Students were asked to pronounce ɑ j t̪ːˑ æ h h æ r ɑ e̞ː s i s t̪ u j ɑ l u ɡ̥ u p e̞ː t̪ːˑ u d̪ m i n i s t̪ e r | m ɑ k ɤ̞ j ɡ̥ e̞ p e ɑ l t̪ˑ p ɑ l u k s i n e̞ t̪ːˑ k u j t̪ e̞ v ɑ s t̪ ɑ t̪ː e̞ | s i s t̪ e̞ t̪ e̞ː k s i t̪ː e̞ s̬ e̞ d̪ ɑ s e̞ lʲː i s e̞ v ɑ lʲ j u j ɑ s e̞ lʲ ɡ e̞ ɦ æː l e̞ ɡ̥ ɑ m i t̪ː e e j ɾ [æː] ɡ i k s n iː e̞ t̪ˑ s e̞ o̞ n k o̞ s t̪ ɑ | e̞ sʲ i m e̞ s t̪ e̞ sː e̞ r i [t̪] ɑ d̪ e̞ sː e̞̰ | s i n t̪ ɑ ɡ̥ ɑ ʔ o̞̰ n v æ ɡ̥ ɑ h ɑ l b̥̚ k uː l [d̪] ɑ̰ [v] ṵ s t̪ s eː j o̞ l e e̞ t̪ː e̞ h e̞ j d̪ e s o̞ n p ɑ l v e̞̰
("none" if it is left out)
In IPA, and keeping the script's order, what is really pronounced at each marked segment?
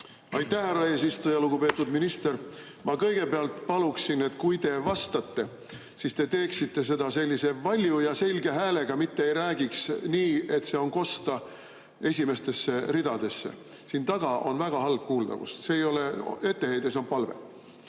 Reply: æː, d̪, d̪, v

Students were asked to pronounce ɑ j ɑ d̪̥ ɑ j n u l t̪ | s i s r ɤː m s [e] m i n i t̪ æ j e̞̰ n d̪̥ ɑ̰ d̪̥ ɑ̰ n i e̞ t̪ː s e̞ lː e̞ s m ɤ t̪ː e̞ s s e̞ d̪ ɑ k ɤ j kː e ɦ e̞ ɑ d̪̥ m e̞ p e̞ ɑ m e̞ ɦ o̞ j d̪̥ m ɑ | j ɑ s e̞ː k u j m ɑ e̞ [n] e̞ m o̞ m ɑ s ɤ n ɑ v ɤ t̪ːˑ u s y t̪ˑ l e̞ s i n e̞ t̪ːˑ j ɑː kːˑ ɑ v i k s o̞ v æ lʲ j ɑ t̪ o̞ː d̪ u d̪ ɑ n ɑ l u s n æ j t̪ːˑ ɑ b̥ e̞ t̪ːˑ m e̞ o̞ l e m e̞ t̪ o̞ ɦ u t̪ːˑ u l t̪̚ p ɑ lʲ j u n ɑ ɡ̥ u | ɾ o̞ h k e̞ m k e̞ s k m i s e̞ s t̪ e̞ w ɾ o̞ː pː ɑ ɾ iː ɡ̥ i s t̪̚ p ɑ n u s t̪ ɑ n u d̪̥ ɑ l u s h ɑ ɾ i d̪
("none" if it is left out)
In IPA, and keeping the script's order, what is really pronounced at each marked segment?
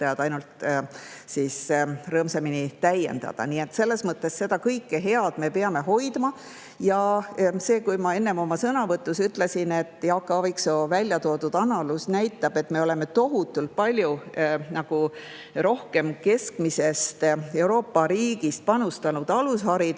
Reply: e, nː

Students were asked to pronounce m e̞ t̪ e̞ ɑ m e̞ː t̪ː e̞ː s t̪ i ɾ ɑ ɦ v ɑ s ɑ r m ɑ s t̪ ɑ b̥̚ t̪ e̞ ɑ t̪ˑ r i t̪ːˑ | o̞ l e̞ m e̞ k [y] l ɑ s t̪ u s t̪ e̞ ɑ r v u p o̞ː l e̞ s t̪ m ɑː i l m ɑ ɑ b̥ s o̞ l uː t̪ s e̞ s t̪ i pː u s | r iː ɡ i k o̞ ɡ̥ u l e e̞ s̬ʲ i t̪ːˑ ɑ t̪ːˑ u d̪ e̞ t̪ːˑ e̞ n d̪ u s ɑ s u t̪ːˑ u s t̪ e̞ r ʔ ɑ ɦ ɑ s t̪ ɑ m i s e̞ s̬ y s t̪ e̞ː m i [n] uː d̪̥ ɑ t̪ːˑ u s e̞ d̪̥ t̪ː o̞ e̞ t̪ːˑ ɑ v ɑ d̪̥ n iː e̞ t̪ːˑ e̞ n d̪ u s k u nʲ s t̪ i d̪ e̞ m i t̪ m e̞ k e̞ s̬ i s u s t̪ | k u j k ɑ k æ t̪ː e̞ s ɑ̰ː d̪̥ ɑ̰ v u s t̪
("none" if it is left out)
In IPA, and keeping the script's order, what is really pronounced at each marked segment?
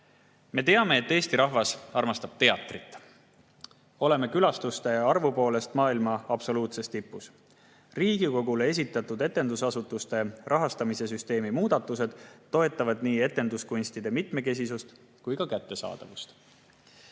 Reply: y, m

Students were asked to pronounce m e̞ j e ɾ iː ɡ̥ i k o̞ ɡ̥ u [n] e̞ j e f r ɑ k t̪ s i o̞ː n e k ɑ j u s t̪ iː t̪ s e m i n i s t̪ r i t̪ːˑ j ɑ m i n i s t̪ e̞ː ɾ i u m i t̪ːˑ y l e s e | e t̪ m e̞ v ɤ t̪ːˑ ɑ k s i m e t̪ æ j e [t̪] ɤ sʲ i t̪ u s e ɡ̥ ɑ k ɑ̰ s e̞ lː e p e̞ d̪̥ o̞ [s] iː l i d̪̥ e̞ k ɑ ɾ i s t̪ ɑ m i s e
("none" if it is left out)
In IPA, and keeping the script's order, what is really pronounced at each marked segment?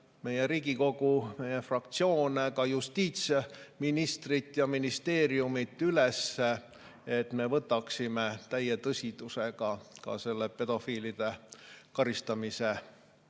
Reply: m, t̪, f

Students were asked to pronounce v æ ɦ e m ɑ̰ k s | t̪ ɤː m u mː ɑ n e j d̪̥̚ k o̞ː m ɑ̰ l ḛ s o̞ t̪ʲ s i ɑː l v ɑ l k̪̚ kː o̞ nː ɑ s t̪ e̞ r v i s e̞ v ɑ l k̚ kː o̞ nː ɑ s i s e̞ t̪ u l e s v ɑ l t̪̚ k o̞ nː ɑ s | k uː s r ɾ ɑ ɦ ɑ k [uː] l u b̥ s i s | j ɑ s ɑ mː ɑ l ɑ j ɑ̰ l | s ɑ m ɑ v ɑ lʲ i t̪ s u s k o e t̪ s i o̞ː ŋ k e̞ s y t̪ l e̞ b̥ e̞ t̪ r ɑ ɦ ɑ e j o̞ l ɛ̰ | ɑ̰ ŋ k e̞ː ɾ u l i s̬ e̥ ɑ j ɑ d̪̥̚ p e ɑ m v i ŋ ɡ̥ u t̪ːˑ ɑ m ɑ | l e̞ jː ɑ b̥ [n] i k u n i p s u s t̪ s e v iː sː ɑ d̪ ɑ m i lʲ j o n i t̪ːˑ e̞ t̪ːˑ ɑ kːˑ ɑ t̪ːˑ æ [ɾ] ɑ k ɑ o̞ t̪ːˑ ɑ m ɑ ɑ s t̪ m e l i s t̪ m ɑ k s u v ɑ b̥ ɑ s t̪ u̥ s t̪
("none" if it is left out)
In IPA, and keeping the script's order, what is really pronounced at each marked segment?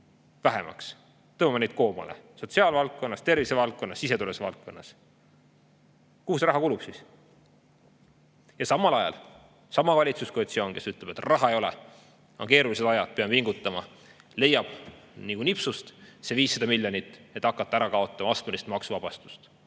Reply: u, n, ɾ

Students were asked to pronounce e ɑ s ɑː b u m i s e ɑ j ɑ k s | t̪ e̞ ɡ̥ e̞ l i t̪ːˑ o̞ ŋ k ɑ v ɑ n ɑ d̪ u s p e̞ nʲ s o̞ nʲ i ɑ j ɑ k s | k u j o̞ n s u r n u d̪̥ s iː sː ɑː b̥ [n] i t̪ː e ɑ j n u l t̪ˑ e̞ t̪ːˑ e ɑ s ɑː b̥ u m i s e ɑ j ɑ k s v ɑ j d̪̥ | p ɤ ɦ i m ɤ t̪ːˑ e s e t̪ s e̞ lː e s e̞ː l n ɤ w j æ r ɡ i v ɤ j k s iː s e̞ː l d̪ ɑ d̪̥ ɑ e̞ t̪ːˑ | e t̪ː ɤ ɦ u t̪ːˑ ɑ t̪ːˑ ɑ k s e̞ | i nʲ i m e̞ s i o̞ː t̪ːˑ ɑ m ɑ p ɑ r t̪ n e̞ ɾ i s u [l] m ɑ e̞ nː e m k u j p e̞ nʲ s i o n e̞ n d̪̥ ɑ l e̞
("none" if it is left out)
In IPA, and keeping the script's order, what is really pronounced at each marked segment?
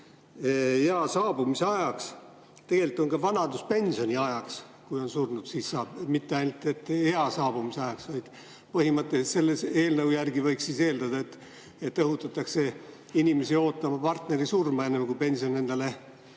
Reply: m, r

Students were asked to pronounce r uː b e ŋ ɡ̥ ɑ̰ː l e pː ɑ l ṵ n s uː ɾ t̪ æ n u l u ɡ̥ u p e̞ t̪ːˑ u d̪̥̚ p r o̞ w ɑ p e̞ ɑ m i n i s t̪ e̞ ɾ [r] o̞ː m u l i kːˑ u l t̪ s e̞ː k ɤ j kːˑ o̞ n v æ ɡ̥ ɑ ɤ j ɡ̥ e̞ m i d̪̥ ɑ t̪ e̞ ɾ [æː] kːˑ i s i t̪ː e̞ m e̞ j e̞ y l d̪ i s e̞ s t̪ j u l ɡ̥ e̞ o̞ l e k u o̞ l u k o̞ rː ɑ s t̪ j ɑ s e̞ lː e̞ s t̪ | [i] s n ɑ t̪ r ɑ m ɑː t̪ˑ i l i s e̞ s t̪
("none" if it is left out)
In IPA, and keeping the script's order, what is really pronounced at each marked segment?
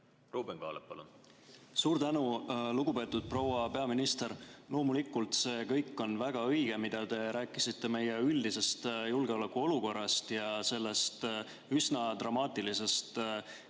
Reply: l, æː, y

